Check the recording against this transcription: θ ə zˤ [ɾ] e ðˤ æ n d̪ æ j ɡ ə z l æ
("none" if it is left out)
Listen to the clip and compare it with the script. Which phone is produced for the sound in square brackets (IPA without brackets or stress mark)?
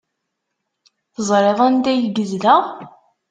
ɾ